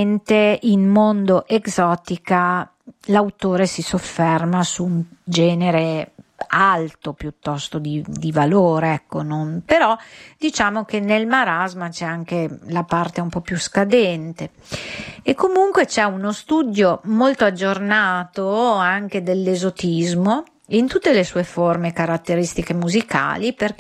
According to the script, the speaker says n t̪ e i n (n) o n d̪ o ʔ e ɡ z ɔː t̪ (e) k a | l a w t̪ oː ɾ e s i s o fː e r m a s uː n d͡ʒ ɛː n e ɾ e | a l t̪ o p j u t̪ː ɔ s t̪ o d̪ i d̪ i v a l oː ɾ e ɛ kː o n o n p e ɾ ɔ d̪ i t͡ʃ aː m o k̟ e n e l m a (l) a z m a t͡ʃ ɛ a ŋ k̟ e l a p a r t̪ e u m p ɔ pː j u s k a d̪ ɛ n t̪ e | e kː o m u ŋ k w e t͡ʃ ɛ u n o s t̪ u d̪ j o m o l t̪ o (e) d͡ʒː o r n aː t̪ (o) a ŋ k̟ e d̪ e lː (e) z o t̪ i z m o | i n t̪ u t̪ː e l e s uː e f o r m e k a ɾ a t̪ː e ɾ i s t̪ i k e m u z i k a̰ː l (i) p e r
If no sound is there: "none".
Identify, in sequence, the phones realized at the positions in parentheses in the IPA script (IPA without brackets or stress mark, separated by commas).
m, i, ɾ, a, o, e, i